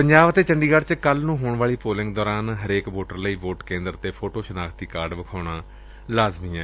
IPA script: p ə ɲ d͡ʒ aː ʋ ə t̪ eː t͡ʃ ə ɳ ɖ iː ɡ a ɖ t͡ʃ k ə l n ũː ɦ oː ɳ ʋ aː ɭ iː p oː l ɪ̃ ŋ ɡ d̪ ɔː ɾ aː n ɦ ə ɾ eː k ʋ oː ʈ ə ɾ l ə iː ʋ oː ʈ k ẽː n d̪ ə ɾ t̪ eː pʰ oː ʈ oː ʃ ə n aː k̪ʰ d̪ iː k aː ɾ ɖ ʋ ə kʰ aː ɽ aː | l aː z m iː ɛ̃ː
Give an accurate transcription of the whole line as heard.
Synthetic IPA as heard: p ə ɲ d͡ʒ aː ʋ ə t̪ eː t͡ʃ ə ɳ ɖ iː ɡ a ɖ t͡ʃ k ə l n ũː ɦ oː ɳ ʋ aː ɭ iː p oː l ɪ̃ ŋ ɡ d̪ ɔː ɾ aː n ɦ ə ɾ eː k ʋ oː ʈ ə ɾ l ə iː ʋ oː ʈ k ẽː n d̪ ə ɾ t̪ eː pʰ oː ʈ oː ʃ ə n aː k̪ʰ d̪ iː k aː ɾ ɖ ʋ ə kʰ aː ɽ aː | l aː z m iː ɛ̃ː

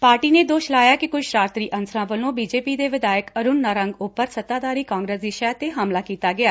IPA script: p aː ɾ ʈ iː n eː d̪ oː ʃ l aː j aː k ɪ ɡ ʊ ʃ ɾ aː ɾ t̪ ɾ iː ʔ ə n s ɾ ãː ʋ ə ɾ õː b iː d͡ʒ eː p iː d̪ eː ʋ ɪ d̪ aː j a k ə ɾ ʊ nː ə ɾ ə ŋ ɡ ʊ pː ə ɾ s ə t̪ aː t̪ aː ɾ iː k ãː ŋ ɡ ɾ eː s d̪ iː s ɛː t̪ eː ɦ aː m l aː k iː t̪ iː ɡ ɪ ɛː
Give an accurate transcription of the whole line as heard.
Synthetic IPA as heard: p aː ɾ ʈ iː n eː d̪ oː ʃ l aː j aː k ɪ k ʊ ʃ ɾ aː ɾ t̪ ɾ iː ʔ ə n s ɾ ãː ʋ ə l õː b iː d͡ʒ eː p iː d̪ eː ʋ ɪ d̪ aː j ə k ə ɾ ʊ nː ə ɾ ə ŋ ɡ ʊ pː ə ɾ s ə t̪ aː d̪ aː ɾ iː k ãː ŋ ɡ ɾ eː s d̪ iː ʃ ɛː t̪ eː ɦ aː m l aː k iː t̪ aː ɡ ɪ aː

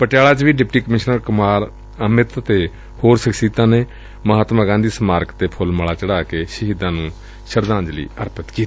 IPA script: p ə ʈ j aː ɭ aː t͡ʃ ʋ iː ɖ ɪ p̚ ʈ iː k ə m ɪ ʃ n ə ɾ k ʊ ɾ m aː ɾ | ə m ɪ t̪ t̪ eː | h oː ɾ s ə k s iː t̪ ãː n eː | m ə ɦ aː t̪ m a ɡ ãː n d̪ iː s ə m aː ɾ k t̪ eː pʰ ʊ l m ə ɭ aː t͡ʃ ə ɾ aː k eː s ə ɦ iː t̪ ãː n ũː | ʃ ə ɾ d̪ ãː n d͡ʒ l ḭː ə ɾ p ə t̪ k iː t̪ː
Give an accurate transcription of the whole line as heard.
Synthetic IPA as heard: p ə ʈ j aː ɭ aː t͡ʃ ʋ iː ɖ ɪ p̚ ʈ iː k ə m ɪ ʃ n ə ɾ k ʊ m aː ɾ | ə m ɪ t̪ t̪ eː | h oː ɾ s ə k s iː t̪ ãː n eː | m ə ɦ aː t̪ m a ɡ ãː n d̪ iː s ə m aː ɾ k t̪ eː pʰ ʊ l m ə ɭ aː t͡ʃ ə ɽ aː k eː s ə ɦ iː d̪ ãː n ũː | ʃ ə ɾ d̪ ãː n d͡ʒ l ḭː ə ɾ p ə t̪ k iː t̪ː

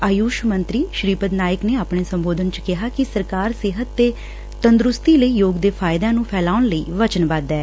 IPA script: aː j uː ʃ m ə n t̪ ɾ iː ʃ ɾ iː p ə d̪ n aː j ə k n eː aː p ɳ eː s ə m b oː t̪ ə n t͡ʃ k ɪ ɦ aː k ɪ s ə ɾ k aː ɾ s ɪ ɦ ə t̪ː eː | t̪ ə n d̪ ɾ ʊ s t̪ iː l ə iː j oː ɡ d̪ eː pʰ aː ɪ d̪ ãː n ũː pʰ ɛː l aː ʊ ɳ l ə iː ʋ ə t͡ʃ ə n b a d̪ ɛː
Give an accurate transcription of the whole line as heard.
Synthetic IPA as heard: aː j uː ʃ m ə n t̪ ɾ iː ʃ ɾ iː p ə d̪ n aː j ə k n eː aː p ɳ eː s ə m b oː d̪ ə n t͡ʃ k ɪ ɦ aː k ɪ s ə ɾ k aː ɾ s ɪ ɦ ə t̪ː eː | t̪ ə n d̪ ɾ ʊ s t̪ iː l ə iː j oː ɡ d̪ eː pʰ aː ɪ d̪ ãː n ũː pʰ ɛː l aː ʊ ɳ l ə iː ʋ ə t͡ʃ ə n b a d̪ ɛː

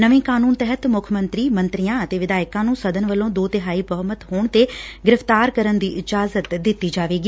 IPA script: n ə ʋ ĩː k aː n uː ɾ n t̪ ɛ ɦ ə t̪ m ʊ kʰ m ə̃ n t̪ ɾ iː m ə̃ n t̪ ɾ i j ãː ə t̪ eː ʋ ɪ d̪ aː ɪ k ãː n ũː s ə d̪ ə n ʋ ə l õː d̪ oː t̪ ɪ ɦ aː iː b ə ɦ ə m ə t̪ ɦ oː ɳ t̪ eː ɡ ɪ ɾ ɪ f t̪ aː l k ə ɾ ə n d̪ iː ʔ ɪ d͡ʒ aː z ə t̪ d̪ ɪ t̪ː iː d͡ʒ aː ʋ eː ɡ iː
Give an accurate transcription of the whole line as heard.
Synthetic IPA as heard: n ə ʋ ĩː k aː n uː n t̪ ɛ ɦ ə t̪ m ʊ kʰ m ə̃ n t̪ ɾ iː m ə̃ n t̪ ɾ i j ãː ə t̪ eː ʋ ɪ d̪ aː ɪ k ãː n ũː s ə d̪ ə n ʋ ə l õː d̪ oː t̪ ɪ ɦ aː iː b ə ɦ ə m ə t̪ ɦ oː ɳ t̪ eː ɡ ɪ ɾ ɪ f t̪ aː ɾ k ə ɾ ə n d̪ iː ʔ ɪ d͡ʒ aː z ə t̪ d̪ ɪ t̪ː iː d͡ʒ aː ʋ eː ɡ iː

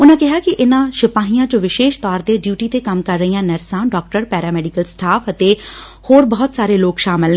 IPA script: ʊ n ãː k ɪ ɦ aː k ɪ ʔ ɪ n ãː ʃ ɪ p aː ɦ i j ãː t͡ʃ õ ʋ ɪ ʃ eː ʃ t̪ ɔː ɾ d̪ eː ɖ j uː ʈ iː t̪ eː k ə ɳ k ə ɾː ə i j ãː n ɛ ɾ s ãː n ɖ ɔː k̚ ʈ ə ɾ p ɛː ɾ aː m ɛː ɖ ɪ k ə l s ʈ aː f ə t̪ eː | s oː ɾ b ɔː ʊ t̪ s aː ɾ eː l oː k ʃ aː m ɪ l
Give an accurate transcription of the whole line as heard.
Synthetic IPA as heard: ʊ n ãː k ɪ ɦ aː k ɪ ʔ ɪ n ãː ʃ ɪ p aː ɦ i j ãː t͡ʃ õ ʋ ɪ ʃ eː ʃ t̪ ɔː ɾ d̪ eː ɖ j uː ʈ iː t̪ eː k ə m k ə ɾː ə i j ãː n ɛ ɾ s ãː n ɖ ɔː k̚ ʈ ə ɾ p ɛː ɾ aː m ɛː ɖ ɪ k ə l s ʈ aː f ə t̪ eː | h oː ɾ b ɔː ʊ t̪ s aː ɾ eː l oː k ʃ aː m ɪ l

